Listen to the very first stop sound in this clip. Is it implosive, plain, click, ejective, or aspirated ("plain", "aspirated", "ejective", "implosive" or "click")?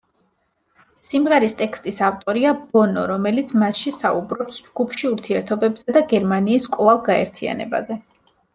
ejective